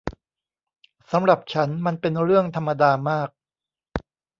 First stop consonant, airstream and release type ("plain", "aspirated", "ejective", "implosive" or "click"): plain